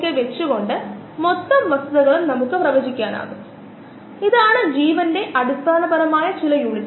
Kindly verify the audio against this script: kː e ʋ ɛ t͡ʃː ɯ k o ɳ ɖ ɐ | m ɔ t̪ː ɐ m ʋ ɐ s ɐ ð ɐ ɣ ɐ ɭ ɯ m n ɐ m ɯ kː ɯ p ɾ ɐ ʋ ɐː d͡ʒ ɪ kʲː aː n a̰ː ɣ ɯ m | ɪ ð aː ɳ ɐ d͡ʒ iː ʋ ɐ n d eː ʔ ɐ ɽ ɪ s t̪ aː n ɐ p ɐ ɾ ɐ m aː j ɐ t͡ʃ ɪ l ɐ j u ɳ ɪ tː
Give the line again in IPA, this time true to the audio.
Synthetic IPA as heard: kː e ʋ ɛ t͡ʃː ɯ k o ɳ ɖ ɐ | m ɔ t̪ː ɐ m ʋ ɐ s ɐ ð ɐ ɣ ɐ ɭ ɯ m n ɐ m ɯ kː ɯ p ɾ ɐ ʋ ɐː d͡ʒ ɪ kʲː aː n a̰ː ɣ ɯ m | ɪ ð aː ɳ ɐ d͡ʒ iː ʋ ɐ n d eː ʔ ɐ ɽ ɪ s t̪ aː n ɐ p ɐ ɾ ɐ m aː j ɐ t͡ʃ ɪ l ɐ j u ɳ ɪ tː